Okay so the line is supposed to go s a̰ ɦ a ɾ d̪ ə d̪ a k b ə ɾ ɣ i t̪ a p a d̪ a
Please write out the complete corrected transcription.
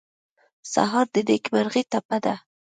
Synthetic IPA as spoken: s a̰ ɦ ɑ ɾ d̪ ə d̪ e k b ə ɾ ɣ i t̪ a p a d̪ a